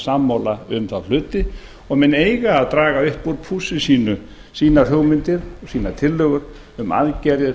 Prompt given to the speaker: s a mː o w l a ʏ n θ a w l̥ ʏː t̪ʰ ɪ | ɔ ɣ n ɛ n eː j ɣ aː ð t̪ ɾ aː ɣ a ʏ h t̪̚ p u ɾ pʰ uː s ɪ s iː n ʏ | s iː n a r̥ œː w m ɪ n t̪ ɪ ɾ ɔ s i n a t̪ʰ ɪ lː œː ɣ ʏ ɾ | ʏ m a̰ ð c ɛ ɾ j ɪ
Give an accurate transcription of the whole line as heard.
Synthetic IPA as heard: s a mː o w l a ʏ m θ a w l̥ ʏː t̪ ɪ | ɔ ɣ m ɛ n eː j ɣ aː ð t̪ ɾ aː ɣ a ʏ h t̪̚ p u ɾ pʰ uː s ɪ s iː n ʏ | s iː n a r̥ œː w m ɪ n t̪ ɪ ɾ ɔ s iː n a t̪ʰ ɪ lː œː ɣ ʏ ɾ | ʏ m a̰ ð c ɛ ɾ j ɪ